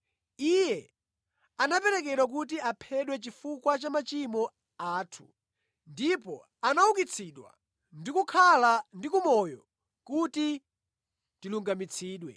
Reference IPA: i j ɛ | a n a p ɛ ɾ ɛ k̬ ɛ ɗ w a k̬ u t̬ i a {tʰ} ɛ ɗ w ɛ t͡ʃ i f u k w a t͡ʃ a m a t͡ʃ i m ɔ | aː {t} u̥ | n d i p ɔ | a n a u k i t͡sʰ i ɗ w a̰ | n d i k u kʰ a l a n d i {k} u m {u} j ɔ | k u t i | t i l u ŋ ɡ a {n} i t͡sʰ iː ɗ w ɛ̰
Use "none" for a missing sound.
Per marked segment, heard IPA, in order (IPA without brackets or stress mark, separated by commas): pʰ, tʰ, k, ɔ, m